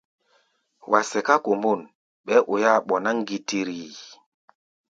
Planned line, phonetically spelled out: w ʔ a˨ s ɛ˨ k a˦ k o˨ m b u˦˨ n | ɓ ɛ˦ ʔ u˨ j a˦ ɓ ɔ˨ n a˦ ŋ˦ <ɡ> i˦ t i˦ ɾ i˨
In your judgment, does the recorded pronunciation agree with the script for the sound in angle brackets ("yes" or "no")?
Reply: yes